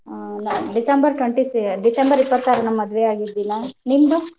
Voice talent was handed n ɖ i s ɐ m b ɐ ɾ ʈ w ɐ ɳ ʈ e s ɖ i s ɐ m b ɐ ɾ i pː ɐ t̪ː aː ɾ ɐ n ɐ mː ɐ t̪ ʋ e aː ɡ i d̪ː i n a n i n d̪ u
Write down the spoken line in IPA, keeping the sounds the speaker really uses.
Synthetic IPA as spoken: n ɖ i s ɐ m b ɐ ɾ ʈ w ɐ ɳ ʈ i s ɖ i s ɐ m b ɐ ɾ i pː ɐ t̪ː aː ɾ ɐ n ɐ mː ɐ d̪ ʋ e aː ɡ i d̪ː i n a n i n d̪ u